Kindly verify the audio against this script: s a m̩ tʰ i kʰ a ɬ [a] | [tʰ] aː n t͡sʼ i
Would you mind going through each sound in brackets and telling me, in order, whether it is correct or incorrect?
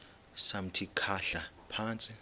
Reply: correct, incorrect: pʰ

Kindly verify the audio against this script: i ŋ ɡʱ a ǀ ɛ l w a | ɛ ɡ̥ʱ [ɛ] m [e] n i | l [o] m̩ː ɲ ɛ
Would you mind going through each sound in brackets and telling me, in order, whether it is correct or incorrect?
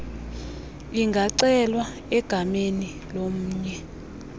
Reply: incorrect: a, correct, correct

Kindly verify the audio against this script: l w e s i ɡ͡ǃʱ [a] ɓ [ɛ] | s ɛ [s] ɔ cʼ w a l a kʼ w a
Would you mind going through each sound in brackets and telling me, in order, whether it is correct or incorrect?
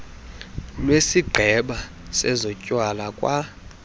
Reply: incorrect: ɛ, incorrect: a, incorrect: z

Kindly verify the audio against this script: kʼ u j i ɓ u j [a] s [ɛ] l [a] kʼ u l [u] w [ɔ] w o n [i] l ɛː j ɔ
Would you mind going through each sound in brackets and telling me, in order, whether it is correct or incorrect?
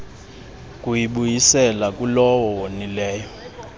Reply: incorrect: i, correct, correct, incorrect: ɔ, correct, correct

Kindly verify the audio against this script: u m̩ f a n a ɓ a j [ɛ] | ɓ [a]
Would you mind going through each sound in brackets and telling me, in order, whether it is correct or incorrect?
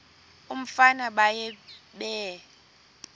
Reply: correct, incorrect: ɛ

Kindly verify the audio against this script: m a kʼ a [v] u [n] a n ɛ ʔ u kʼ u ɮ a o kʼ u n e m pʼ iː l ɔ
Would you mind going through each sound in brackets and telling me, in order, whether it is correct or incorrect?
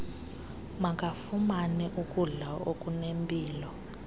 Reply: incorrect: f, incorrect: m

